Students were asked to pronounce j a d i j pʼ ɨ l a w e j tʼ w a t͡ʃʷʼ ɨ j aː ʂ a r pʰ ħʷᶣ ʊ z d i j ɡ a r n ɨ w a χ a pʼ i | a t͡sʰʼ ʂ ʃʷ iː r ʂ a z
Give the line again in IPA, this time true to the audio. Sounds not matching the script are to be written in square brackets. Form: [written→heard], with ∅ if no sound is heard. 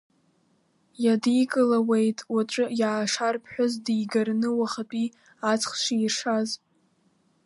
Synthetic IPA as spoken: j a d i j [pʼ→kʼ] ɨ l a w e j tʼ w a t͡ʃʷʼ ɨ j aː ʂ a r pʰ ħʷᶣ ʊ z d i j ɡ a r n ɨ w a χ a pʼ i | a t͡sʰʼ [ʂ→χ] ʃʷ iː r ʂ a z